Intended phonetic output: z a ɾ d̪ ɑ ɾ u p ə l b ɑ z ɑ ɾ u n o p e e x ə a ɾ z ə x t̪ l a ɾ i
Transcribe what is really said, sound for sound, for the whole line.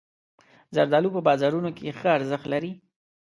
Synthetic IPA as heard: z a ɾ d̪ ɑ l u p ə b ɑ z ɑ ɾ u n o k e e x ə a ɾ z ə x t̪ l a ɾ i